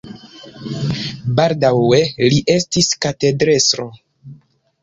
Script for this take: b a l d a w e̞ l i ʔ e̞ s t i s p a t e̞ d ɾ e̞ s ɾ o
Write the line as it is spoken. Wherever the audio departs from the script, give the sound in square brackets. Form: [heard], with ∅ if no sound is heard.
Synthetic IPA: b a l d a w e̞ l i ʔ e̞ s t i s [k] a t e̞ d ɾ e̞ s ɾ o